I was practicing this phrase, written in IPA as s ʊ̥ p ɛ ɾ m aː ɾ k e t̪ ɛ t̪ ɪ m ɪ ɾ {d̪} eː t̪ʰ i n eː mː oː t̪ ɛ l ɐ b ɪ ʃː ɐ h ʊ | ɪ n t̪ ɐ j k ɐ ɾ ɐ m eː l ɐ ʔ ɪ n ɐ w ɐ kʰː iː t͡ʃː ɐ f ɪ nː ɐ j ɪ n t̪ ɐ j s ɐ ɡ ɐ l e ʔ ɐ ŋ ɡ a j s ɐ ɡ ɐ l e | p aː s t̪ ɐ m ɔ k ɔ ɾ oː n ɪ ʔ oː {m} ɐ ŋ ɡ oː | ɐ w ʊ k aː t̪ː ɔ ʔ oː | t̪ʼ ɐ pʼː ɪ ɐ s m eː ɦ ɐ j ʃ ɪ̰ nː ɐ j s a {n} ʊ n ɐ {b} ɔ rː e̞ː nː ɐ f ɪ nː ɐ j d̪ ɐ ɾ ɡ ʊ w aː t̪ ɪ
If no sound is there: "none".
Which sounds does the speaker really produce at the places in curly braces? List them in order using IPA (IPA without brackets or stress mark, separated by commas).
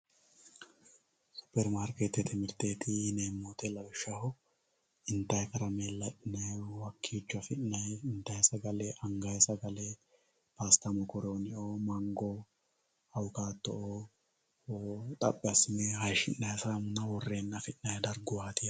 t̪, m, m, w